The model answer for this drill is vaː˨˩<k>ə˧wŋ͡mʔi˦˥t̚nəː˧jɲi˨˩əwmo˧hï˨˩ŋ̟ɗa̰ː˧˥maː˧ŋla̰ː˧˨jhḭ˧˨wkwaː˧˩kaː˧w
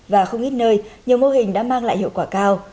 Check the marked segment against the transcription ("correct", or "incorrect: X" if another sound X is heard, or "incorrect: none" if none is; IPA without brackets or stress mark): incorrect: x